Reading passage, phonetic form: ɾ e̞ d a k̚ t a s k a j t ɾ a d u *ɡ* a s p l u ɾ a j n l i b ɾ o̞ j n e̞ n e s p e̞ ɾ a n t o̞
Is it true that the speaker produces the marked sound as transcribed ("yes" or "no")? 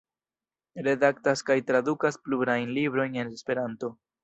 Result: no